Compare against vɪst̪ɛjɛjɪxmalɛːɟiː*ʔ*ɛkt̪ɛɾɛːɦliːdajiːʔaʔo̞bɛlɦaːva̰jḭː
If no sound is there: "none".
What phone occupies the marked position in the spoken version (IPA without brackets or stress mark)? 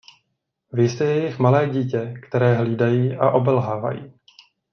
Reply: c